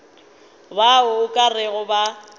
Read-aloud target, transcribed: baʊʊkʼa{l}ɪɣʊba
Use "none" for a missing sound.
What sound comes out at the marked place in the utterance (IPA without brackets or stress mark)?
r